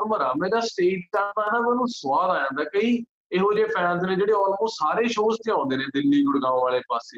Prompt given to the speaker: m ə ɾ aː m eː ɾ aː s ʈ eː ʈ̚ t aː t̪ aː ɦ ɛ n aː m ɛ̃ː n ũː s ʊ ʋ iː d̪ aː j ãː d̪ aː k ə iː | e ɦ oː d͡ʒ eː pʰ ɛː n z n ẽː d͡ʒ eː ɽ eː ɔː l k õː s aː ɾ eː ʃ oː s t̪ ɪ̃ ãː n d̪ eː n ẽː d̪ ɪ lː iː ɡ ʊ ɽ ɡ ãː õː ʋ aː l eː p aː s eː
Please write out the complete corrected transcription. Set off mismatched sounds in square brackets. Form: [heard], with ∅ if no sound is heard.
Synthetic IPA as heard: m ə ɾ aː m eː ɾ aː s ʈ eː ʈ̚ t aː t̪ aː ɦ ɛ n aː m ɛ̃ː n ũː s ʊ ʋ [aː] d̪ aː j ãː d̪ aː k ə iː | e ɦ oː d͡ʒ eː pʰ ɛː n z n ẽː d͡ʒ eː ɽ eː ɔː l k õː s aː ɾ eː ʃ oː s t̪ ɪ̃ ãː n d̪ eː n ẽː d̪ ɪ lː iː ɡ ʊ ɽ ɡ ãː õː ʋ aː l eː p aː s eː